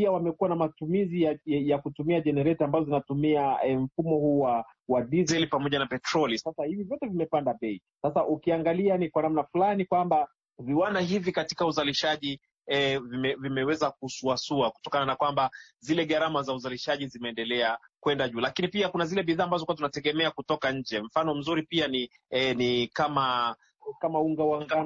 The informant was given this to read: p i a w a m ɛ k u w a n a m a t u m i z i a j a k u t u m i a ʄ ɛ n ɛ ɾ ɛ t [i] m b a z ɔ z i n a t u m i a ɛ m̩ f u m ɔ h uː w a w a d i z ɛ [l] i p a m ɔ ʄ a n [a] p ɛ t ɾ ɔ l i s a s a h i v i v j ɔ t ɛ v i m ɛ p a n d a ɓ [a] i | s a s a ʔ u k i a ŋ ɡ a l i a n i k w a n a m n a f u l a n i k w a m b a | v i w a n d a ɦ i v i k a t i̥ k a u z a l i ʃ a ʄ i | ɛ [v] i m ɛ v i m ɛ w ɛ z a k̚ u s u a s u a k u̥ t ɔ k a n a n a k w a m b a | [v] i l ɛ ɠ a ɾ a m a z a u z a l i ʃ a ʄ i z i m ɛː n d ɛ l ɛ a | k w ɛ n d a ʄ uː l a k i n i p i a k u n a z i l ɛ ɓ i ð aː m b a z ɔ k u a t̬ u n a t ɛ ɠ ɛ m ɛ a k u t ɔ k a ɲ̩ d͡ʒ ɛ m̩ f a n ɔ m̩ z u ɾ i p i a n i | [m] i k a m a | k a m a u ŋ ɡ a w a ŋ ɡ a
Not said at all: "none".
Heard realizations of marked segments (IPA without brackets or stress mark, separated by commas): a, l, a, ɛ, v, z, n